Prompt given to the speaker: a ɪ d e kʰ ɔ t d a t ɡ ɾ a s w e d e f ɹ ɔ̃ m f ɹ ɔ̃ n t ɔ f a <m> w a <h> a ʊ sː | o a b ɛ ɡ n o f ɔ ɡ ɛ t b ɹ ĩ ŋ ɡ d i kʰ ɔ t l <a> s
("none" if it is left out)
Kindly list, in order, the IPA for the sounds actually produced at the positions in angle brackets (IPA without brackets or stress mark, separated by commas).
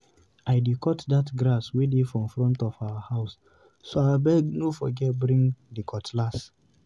none, h, a